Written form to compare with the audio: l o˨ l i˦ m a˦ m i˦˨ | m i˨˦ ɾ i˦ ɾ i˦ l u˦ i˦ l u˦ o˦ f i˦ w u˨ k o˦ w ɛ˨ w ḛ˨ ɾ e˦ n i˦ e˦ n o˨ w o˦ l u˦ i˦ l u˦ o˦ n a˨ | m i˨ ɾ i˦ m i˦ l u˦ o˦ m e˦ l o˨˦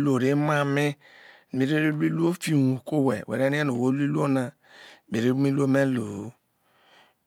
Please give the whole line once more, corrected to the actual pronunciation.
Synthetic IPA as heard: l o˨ ɾ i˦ m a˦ m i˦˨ | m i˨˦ ɾ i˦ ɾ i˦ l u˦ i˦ l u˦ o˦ f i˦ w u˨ k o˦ w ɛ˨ w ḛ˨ ɾ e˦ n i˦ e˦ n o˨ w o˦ l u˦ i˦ l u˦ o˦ n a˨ | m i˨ ɾ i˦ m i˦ l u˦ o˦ m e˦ l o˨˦